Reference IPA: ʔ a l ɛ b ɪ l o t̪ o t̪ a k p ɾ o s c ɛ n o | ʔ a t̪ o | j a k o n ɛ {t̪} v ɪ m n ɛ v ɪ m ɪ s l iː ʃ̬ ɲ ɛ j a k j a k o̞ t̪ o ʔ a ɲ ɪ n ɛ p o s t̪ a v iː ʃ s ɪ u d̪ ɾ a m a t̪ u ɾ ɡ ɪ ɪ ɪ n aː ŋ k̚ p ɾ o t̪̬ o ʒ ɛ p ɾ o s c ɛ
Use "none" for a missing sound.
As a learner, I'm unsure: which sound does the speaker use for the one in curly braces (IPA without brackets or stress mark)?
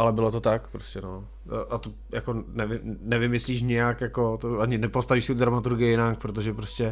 none